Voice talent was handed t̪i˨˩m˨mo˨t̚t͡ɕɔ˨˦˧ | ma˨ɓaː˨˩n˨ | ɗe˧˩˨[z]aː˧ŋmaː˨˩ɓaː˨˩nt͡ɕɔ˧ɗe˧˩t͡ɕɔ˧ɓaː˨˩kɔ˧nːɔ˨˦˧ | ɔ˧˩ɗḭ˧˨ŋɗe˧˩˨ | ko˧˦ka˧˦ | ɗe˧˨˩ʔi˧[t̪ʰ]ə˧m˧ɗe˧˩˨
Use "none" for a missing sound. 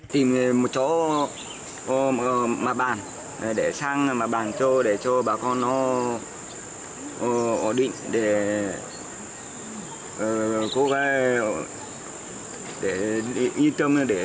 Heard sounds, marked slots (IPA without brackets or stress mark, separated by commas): s, t̪